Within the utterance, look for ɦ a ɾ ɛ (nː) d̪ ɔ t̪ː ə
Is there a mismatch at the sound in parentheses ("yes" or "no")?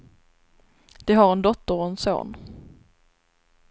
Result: yes